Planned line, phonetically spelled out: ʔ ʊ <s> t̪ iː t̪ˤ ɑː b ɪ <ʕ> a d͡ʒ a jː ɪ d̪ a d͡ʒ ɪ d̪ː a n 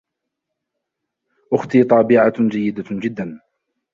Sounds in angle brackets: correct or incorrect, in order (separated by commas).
incorrect, correct